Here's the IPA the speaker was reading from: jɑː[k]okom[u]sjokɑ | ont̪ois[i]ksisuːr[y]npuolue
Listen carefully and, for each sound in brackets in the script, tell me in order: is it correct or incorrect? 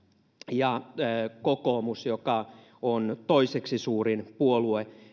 correct, correct, incorrect, incorrect

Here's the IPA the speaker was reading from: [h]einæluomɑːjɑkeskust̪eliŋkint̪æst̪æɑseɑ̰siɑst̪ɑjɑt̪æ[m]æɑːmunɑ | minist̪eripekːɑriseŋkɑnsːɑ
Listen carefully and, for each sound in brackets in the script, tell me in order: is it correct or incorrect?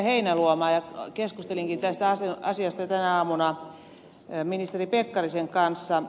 correct, incorrect

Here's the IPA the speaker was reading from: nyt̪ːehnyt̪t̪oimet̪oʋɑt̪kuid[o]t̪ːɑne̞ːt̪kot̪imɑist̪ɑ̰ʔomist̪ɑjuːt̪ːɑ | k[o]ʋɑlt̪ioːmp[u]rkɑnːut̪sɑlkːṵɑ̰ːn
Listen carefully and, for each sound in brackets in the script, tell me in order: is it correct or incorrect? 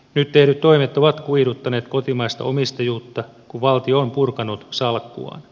incorrect, incorrect, correct

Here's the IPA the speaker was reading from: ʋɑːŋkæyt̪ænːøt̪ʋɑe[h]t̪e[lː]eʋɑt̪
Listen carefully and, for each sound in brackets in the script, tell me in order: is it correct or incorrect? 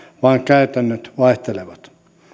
correct, incorrect

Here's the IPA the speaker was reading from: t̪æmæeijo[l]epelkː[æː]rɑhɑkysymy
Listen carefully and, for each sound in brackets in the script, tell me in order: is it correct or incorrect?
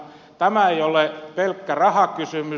correct, incorrect

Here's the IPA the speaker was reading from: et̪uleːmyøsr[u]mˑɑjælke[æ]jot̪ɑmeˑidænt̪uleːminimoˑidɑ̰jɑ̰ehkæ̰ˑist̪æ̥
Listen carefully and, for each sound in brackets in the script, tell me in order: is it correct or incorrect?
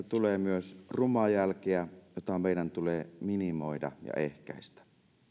correct, correct

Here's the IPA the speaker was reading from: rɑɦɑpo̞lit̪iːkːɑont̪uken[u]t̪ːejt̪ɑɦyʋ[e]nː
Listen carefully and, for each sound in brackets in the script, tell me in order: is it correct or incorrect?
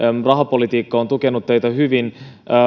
correct, incorrect

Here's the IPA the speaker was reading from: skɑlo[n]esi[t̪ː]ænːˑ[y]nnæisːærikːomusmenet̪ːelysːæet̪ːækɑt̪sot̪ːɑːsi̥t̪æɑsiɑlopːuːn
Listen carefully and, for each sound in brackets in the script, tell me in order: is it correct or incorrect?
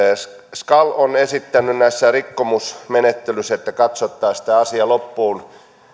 correct, correct, correct

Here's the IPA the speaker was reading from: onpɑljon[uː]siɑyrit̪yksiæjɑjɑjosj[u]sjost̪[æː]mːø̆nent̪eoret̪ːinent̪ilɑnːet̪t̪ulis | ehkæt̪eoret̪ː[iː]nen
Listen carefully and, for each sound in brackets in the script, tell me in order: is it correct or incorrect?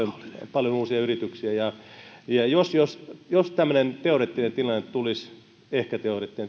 correct, incorrect, incorrect, incorrect

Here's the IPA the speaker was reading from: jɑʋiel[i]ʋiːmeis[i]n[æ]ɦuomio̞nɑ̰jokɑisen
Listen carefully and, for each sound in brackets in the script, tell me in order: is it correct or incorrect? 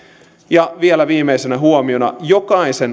incorrect, incorrect, correct

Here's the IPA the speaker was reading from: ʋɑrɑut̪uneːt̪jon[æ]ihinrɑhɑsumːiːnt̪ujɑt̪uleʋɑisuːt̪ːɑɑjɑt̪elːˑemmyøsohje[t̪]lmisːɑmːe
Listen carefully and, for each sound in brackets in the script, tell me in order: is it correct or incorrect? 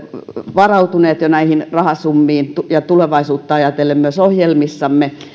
correct, incorrect

